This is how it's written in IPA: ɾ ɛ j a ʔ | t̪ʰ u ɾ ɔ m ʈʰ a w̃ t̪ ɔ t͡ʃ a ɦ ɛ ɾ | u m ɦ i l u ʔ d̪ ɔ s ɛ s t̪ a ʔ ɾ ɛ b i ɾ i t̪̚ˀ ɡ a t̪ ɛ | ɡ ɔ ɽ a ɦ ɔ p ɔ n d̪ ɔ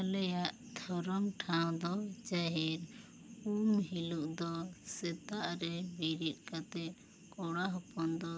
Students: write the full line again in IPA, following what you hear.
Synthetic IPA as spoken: l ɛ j a ʔ | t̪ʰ ɔ ɾ ɔ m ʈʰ a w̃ d̪ ɔ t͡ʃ a ɦ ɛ ɾ | u m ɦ i l u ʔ d̪ ɔ s ɛ t̪ a ʔ ɾ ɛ b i ɾ i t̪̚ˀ k a t̪ ɛ | k ɔ ɽ a ɦ ɔ p ɔ n d̪ ɔ